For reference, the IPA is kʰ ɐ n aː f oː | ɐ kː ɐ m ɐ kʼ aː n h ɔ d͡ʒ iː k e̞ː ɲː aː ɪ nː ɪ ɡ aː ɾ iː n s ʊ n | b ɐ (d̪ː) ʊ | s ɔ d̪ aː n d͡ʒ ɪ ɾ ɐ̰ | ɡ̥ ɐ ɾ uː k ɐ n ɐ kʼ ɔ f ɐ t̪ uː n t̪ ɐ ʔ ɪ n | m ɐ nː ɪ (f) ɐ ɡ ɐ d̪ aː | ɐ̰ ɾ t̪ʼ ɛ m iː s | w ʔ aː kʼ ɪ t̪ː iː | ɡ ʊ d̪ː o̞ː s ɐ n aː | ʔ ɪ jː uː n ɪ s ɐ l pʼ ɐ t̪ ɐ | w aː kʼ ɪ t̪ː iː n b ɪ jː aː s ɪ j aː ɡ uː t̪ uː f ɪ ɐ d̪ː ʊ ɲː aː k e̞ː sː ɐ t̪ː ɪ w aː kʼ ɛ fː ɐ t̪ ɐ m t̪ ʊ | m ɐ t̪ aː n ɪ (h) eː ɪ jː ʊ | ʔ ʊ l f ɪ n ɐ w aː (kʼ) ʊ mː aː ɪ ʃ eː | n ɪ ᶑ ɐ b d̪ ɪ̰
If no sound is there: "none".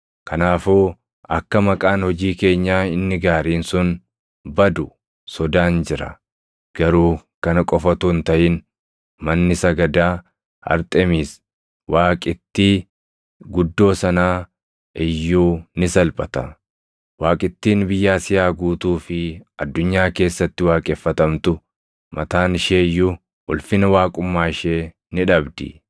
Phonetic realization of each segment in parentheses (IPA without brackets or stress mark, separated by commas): d̪, s, ʃ, kʼ